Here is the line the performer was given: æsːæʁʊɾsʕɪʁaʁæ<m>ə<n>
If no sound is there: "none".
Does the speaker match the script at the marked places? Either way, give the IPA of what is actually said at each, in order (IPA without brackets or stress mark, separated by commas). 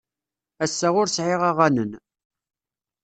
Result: n, n